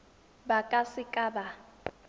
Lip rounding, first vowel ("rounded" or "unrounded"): unrounded